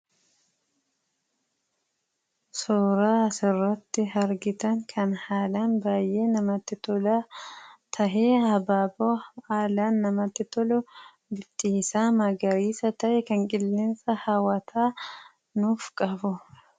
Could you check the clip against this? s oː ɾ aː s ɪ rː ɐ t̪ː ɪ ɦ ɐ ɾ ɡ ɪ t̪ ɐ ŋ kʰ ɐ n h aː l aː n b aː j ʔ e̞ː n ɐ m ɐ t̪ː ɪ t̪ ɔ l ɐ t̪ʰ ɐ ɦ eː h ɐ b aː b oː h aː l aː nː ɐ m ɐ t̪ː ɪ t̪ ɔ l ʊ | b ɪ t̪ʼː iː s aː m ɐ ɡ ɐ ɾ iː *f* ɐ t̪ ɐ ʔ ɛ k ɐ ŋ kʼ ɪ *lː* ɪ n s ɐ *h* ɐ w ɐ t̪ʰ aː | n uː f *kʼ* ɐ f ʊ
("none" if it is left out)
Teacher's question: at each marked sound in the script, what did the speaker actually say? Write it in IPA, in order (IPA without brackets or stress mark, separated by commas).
s, lː, h, kʼ